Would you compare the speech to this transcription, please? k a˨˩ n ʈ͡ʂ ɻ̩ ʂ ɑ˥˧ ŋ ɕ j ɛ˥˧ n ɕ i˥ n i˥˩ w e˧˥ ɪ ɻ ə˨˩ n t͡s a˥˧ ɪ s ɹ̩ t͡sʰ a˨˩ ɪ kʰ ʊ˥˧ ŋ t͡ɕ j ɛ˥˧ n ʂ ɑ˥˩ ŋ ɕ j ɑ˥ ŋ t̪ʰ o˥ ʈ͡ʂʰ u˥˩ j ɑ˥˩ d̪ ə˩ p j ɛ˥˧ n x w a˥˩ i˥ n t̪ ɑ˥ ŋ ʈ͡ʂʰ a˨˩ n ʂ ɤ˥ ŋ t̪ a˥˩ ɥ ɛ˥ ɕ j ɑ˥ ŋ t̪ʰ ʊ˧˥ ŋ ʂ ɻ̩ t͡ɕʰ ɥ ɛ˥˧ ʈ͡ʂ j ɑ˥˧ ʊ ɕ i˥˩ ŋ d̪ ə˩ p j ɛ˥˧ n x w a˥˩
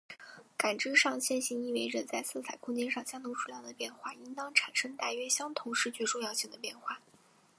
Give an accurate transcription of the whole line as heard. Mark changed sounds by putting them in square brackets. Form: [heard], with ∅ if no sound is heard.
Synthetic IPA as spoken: k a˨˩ n ʈ͡ʂ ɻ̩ ʂ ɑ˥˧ ŋ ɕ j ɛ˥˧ n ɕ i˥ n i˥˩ w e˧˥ ɪ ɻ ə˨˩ n t͡s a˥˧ ɪ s ɹ̩ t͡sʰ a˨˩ ɪ kʰ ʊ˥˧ ŋ t͡ɕ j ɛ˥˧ n ʂ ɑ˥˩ ŋ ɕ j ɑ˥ ŋ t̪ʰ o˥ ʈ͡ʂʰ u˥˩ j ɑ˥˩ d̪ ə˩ p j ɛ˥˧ n x w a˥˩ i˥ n t̪ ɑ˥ ŋ ʈ͡ʂʰ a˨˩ n ʂ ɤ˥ ŋ t̪ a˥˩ ɥ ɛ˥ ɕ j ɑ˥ ŋ t̪ʰ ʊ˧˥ ŋ ʂ ɻ̩ [t͡ɕ] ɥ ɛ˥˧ ʈ͡ʂ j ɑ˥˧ ʊ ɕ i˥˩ ŋ d̪ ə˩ p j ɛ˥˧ n x w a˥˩